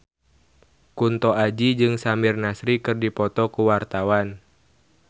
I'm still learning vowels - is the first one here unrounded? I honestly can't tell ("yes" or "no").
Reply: no